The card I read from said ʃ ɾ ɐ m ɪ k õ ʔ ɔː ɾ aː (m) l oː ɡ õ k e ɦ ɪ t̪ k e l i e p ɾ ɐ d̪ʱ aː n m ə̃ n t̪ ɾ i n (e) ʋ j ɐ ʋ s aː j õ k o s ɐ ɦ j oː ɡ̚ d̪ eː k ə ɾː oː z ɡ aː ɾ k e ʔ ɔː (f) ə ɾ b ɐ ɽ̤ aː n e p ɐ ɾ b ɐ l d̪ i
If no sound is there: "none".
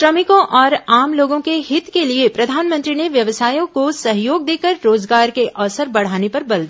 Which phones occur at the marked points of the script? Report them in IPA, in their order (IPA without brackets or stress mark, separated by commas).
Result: m, e, s